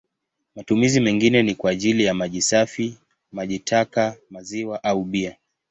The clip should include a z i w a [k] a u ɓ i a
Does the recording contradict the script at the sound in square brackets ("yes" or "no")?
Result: yes